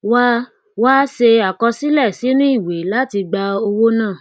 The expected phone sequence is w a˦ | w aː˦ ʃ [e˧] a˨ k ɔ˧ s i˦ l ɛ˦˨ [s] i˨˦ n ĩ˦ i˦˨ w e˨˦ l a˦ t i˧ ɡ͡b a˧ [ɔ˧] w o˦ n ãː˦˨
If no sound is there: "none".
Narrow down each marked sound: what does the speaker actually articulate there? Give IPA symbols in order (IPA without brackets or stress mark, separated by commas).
e˧, s, o˧